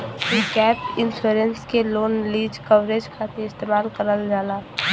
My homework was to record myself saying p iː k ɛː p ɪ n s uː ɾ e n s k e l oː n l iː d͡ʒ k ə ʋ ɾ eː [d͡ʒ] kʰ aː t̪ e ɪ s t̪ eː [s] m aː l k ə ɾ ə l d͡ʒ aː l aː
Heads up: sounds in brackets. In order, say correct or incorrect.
correct, incorrect: none

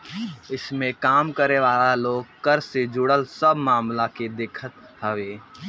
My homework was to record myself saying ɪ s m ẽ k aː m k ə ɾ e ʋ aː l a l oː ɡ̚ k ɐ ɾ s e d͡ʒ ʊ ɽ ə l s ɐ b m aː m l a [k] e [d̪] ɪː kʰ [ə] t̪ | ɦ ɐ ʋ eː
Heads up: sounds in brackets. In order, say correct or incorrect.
correct, correct, correct

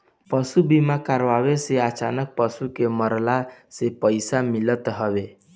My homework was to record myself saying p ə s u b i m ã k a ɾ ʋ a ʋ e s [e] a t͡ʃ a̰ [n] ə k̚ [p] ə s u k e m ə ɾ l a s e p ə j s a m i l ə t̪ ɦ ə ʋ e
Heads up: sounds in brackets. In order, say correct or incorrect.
correct, correct, correct

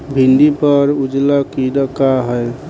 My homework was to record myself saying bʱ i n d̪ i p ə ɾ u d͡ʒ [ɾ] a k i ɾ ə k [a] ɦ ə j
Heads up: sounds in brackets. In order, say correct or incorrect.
incorrect: l, correct

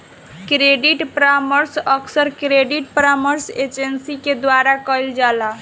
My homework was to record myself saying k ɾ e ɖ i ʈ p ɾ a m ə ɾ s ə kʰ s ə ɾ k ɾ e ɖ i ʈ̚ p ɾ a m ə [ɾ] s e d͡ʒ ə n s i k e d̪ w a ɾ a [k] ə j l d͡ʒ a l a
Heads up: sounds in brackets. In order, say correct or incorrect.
correct, correct

